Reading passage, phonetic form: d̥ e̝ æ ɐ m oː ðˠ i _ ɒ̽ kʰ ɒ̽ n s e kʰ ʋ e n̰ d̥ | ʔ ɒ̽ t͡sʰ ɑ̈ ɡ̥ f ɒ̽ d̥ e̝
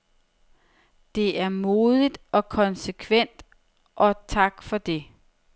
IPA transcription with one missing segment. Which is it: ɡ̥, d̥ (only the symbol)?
d̥